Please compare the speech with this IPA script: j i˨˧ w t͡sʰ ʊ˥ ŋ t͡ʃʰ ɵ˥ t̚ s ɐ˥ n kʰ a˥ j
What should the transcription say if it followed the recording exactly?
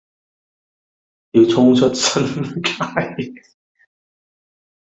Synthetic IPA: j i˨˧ w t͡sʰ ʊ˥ ŋ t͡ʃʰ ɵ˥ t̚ s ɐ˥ n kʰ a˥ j